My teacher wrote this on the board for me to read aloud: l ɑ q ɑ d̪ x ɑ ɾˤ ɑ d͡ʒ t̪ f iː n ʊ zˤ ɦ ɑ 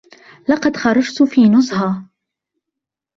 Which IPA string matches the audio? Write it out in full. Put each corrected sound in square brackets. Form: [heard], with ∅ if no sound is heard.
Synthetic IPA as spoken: l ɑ q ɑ d̪ x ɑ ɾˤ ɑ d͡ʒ t̪ f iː n ʊ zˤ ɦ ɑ